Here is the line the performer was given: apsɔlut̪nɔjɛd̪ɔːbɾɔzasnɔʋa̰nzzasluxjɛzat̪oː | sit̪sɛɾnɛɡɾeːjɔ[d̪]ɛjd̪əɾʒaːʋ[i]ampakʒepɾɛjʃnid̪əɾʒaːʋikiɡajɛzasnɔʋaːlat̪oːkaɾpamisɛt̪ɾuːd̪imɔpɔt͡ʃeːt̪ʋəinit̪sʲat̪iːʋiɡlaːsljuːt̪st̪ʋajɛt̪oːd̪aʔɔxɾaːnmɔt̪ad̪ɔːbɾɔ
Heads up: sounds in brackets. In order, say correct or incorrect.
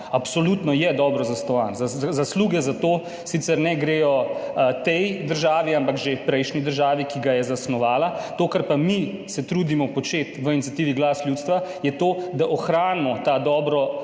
incorrect: t̪, correct

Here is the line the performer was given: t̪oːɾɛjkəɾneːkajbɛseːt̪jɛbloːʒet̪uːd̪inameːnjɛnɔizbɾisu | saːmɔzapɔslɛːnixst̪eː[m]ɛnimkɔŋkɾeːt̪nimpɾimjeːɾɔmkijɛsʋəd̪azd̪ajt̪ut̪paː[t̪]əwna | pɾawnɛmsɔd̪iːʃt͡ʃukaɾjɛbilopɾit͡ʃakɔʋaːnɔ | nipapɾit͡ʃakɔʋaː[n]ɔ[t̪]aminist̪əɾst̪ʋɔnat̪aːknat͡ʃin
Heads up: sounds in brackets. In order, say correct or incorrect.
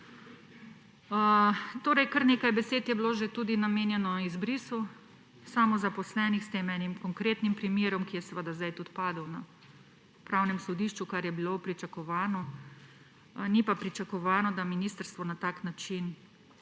correct, incorrect: d̪, correct, incorrect: d̪

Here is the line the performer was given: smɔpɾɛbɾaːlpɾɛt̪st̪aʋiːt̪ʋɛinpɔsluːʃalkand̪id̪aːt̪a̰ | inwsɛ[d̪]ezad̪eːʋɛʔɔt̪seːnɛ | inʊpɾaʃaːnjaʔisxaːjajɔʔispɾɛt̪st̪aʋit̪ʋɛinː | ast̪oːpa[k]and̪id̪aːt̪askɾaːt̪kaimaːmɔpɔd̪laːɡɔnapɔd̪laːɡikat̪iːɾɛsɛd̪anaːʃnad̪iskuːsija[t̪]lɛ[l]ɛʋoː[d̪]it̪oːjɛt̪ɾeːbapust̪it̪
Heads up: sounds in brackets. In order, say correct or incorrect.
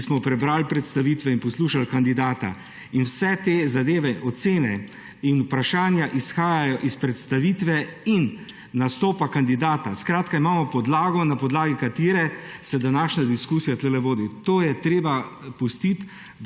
incorrect: t̪, correct, correct, correct, correct

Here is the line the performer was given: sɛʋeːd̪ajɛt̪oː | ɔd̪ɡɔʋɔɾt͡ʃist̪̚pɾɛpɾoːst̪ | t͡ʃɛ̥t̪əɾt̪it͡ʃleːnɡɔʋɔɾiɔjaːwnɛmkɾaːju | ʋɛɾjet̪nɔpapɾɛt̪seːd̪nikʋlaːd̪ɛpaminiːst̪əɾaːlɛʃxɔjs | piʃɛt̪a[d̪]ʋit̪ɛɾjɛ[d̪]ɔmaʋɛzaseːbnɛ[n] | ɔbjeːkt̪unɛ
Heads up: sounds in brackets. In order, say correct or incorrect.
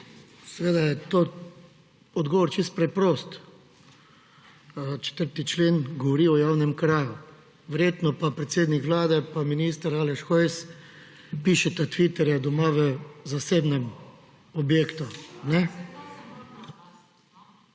incorrect: t̪, correct, incorrect: m

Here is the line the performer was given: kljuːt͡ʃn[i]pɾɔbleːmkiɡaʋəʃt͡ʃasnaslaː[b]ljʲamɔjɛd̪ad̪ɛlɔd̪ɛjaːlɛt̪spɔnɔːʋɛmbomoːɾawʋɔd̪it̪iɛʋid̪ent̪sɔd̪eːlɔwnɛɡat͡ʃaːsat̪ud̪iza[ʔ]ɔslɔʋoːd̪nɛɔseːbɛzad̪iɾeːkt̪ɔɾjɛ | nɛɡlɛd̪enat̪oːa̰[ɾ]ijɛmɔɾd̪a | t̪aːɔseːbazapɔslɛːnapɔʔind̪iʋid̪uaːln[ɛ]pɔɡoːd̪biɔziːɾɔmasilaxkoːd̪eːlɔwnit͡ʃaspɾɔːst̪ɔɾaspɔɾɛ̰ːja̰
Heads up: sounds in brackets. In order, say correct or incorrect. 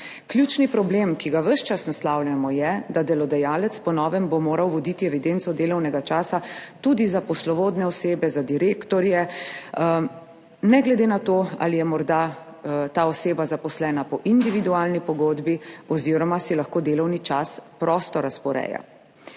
correct, incorrect: w, incorrect: p, incorrect: l, incorrect: i

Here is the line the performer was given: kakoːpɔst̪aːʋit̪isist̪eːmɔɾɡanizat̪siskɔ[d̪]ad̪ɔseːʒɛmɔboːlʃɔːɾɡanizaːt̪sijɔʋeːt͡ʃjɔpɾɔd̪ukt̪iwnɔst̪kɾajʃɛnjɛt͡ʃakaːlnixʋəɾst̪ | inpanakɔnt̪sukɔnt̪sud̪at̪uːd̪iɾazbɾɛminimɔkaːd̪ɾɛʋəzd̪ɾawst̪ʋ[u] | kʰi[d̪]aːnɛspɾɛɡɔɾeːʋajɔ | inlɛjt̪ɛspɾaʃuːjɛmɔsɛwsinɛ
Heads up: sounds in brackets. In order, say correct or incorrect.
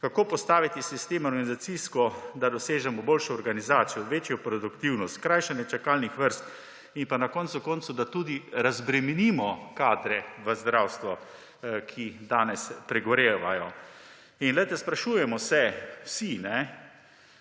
correct, incorrect: ɔ, correct

